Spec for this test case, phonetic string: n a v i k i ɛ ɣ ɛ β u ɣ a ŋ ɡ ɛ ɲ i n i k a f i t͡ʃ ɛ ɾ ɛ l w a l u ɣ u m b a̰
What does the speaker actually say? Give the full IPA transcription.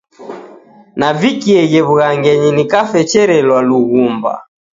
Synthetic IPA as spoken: n a v i k i ɛ ɣ ɛ β u ɣ a ŋ ɡ ɛ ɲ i n i k a f ɛ t͡ʃ ɛ ɾ ɛ l w a l u ɣ u m b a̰